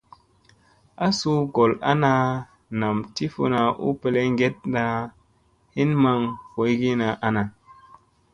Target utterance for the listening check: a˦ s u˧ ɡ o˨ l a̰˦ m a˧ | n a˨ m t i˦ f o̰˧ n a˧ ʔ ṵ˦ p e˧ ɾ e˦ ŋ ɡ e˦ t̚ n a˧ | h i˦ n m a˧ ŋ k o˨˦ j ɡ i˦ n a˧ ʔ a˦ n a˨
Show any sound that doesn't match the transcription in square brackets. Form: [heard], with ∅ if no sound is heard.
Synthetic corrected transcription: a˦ s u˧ ɡ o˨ l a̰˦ [n] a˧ | n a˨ m t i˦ f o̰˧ n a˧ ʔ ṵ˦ p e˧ [l] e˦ ŋ ɡ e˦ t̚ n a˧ | h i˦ n m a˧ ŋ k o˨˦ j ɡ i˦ n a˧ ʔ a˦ n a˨